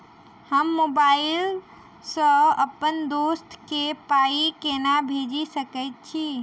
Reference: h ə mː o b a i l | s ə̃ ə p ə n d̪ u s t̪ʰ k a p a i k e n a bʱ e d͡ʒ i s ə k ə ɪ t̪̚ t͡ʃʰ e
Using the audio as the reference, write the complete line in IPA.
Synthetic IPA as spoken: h ə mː o b a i l | s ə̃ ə p ə n d̪ o s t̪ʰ k e p a i k e n a bʱ e d͡ʒ i s ə k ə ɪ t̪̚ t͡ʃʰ i